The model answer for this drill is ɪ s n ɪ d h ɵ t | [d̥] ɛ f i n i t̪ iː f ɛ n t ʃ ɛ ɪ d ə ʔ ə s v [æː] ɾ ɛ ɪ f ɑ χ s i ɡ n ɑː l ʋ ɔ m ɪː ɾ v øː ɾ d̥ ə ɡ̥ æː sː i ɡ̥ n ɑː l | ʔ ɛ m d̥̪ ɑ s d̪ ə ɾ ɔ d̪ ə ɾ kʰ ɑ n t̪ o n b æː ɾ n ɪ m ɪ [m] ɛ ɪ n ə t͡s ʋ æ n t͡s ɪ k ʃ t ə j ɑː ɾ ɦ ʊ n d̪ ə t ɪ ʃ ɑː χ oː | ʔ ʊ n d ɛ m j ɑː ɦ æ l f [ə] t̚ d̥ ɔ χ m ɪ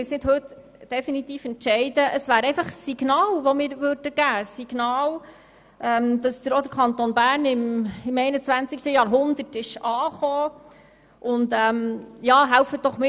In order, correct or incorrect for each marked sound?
correct, correct, correct, correct

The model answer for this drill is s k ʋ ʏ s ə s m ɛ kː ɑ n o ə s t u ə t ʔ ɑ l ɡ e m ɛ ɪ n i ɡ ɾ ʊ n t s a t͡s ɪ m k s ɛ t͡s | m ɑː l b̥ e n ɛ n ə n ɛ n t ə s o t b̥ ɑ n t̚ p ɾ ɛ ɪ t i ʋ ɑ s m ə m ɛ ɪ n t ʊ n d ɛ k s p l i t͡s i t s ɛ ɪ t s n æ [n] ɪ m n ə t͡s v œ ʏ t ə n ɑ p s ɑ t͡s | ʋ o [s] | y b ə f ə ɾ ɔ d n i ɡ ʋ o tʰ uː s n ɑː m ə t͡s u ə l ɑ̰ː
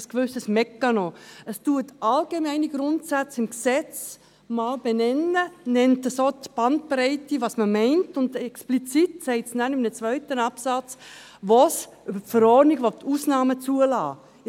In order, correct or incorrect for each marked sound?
correct, correct

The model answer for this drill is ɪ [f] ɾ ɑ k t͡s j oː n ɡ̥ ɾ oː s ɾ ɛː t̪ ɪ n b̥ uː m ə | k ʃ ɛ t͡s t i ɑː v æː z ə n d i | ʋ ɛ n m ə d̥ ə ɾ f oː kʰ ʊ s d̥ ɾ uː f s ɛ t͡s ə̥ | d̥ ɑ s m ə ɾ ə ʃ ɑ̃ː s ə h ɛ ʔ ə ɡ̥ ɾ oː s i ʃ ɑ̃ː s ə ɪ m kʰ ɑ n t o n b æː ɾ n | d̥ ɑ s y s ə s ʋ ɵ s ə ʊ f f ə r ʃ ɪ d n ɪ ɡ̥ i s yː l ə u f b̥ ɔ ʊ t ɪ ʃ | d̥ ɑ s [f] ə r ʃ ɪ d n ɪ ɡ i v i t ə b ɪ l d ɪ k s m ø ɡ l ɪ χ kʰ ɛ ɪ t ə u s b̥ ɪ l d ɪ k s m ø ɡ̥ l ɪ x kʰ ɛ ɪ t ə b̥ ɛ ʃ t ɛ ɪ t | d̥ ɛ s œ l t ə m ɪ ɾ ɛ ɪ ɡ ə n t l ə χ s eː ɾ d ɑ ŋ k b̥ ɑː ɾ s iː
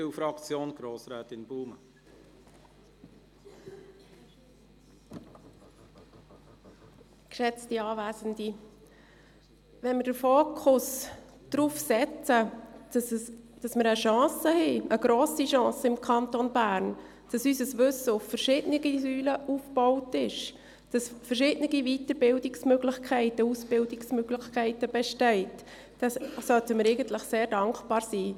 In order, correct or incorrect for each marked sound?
correct, correct

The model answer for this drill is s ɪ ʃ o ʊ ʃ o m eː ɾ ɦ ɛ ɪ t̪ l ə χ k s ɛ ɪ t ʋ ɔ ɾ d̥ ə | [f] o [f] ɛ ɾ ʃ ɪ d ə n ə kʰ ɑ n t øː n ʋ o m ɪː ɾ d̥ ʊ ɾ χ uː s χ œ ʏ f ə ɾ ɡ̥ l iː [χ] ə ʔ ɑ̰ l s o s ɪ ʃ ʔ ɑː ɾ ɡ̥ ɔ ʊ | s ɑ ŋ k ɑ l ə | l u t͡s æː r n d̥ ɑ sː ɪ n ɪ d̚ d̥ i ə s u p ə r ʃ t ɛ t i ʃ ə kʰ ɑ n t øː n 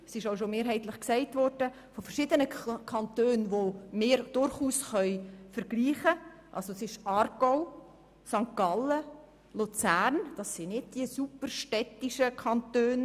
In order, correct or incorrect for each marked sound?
correct, correct, correct

